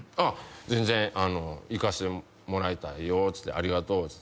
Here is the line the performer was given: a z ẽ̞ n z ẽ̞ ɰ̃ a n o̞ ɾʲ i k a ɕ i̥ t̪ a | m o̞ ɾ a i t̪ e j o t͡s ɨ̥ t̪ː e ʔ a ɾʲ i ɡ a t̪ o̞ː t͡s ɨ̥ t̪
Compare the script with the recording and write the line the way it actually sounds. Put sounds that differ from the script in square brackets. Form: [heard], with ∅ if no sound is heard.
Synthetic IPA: a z ẽ̞ n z ẽ̞ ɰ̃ a n o̞ [∅] i k a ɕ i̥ t̪ [e] | m o̞ ɾ a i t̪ [a] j o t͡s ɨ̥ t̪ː e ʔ a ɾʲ i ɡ a t̪ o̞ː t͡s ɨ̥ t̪